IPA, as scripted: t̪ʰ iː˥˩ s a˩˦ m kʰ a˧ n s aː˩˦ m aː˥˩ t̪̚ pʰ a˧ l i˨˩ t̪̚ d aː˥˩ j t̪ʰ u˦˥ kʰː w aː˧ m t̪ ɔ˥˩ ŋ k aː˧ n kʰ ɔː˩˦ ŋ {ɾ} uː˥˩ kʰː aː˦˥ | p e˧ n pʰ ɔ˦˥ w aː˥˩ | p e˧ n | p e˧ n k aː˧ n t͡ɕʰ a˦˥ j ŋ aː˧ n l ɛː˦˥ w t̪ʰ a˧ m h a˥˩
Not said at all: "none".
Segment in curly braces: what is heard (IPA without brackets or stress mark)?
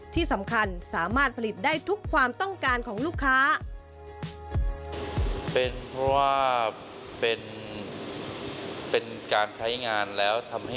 l